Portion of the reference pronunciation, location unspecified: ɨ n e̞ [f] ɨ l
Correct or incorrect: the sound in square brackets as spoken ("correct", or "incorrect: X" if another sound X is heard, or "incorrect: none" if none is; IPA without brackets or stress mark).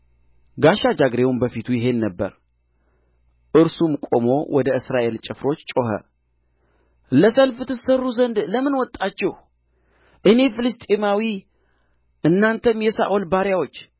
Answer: correct